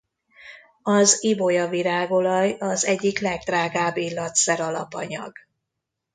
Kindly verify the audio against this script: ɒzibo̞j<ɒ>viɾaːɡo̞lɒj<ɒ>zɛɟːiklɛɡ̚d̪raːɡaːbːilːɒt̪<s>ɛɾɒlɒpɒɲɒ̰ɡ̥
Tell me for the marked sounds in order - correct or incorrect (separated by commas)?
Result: correct, correct, correct